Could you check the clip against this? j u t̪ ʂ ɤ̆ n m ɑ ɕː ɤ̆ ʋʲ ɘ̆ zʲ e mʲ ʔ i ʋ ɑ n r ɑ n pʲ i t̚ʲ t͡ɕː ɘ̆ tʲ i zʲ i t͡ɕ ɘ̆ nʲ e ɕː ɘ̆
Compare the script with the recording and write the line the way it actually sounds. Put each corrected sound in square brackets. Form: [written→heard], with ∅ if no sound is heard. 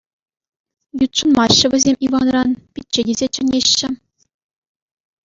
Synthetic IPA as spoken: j u t̪ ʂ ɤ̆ n m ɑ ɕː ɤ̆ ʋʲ ɘ̆ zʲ e mʲ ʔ i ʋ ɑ n r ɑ n pʲ i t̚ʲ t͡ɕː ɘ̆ [tʲ→dʲ] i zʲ [i→e] t͡ɕ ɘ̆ nʲ e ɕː ɘ̆